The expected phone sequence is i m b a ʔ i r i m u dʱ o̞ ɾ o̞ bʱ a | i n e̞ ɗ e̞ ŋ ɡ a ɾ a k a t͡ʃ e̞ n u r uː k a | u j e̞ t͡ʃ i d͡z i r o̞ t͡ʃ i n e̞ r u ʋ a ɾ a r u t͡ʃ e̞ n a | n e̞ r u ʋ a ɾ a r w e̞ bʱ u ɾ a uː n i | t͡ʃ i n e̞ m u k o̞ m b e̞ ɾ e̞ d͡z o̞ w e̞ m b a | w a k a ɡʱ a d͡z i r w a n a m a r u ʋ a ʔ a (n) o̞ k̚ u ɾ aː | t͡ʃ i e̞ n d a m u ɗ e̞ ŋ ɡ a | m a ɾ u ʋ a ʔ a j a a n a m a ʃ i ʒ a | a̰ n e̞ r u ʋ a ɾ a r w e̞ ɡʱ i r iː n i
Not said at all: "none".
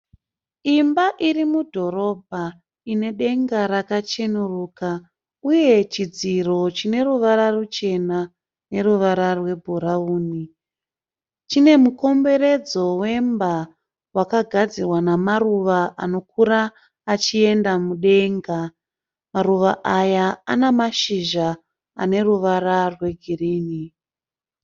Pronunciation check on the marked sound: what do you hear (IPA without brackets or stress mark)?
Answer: n